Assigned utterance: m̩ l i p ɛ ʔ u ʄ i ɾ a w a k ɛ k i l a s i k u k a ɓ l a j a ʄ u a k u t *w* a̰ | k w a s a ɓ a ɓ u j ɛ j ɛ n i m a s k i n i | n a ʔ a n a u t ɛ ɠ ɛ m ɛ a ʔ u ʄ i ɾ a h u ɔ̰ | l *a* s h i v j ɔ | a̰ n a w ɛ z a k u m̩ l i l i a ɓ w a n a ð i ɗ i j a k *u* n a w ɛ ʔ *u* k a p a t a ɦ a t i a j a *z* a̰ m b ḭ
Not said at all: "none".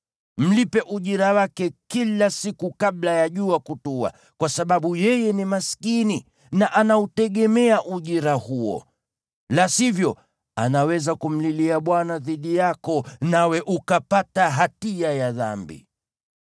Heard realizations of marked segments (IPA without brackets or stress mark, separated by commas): u, a, ɔ, u, ð